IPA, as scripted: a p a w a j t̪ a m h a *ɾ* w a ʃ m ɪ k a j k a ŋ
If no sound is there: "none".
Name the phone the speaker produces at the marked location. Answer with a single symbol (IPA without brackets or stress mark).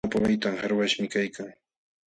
ɾ